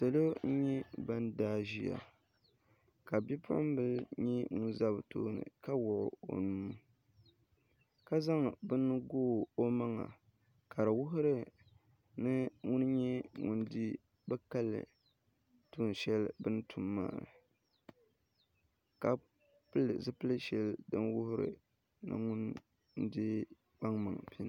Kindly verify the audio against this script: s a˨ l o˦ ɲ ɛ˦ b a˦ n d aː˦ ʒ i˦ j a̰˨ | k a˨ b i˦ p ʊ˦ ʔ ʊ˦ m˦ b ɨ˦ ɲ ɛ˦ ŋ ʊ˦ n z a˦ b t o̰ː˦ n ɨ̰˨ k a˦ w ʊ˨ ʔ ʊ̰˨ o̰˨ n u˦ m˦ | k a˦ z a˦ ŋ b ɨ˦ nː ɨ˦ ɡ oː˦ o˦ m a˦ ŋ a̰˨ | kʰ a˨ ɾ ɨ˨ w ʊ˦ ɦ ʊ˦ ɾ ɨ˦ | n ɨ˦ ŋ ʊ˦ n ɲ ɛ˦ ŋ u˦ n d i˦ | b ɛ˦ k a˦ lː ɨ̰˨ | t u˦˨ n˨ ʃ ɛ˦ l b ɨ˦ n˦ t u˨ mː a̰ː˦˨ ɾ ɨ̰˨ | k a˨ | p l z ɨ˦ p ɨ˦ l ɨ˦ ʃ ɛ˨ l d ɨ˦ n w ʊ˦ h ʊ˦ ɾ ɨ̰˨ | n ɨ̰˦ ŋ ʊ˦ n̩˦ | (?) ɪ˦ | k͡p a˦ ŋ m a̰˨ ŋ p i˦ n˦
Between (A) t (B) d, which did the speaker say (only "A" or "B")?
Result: B